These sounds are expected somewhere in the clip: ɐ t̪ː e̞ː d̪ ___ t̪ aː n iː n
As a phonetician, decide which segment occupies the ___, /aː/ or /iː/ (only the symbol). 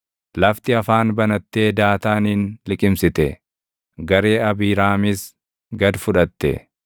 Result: aː